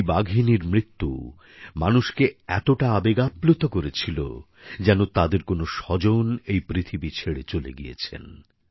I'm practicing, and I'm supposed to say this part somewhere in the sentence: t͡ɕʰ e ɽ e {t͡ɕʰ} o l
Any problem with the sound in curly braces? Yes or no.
yes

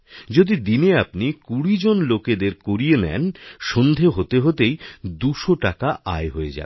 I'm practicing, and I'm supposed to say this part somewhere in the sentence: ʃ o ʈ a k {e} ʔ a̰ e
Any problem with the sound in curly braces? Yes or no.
yes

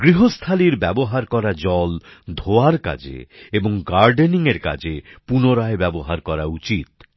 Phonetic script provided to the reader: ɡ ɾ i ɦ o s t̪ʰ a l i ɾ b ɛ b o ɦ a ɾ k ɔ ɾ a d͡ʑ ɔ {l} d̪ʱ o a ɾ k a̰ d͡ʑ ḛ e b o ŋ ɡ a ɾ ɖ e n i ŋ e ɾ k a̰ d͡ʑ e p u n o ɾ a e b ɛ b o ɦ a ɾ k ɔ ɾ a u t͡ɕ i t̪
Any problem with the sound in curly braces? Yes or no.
no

